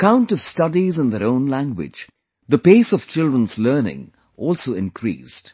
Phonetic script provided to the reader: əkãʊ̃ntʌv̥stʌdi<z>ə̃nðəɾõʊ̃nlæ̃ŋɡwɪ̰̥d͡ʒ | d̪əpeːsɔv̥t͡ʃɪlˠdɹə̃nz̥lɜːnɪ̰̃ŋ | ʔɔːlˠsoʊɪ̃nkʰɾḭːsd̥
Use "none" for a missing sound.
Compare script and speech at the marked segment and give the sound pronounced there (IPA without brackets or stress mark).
z